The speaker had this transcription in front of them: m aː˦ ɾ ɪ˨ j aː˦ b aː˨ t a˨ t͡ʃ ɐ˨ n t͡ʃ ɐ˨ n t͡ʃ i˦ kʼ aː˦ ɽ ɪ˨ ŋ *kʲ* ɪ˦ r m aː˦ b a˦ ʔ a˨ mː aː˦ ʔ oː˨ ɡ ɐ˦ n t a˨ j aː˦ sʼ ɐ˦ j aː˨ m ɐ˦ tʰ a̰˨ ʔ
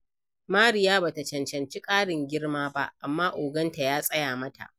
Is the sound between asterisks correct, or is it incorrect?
incorrect